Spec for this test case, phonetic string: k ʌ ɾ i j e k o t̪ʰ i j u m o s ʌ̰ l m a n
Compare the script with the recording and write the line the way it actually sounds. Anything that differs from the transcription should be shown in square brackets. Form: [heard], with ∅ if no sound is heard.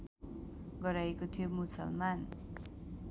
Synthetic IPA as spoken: [ɡ] ʌ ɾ [a] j e k o t̪ʰ i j [o] m [u] s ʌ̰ l m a n